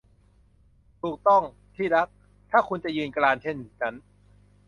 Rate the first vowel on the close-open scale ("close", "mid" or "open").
close